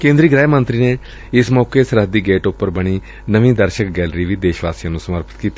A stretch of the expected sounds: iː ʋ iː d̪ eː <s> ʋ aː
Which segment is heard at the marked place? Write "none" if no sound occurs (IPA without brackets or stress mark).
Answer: ʃ